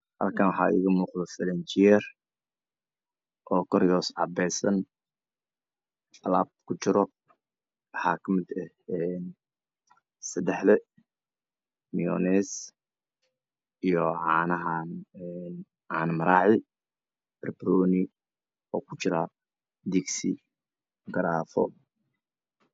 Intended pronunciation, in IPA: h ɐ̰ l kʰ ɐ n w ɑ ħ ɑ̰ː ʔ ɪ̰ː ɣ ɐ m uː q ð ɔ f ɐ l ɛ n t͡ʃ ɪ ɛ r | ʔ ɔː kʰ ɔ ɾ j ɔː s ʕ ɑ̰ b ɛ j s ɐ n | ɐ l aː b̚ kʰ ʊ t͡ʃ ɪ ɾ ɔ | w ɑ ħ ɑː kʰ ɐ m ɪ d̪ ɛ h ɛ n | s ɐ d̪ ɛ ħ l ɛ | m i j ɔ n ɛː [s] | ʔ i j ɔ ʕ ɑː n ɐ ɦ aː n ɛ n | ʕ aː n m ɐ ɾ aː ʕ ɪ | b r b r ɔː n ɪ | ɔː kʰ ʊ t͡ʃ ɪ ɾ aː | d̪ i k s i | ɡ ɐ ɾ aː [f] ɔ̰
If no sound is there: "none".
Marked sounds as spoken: s, f

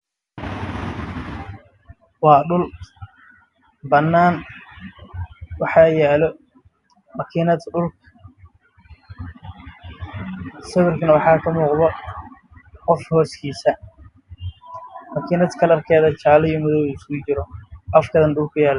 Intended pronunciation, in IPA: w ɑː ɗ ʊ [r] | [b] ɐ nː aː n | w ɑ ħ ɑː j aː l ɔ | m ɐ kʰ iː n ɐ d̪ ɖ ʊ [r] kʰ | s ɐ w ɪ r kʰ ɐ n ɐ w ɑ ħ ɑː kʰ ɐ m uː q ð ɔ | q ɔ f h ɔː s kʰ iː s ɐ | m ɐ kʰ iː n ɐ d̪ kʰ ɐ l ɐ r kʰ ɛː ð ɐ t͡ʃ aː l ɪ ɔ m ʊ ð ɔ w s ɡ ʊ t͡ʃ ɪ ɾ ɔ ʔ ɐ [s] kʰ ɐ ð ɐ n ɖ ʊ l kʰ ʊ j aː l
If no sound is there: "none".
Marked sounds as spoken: l, b, l, f

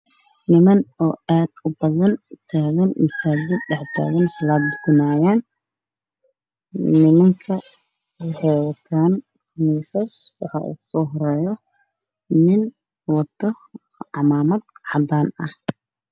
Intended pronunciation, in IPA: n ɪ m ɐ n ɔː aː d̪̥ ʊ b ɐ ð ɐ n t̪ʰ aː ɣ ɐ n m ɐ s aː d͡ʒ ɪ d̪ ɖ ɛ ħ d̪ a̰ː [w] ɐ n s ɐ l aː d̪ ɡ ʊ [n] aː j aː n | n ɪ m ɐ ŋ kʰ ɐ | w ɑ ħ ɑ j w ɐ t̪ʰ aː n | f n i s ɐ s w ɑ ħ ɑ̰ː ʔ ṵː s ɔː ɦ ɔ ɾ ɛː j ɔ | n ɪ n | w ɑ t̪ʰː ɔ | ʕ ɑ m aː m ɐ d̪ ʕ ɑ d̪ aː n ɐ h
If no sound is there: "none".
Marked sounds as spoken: ɣ, n

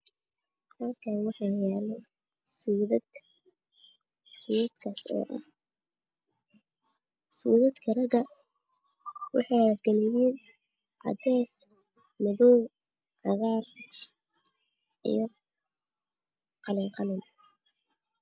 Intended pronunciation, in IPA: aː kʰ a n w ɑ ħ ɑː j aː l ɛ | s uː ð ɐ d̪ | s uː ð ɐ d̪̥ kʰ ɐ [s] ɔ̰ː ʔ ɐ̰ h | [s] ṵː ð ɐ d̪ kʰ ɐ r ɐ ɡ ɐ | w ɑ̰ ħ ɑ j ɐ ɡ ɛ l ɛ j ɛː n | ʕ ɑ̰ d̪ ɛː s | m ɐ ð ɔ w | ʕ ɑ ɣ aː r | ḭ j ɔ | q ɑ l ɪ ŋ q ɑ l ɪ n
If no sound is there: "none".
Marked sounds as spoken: s, s

